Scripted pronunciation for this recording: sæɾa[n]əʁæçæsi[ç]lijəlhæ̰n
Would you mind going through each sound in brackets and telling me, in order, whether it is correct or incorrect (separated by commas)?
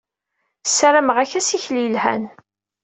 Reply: incorrect, correct